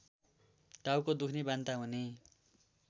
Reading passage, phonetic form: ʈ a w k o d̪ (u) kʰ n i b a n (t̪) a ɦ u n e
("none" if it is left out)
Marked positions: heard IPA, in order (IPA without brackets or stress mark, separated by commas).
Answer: u, t̪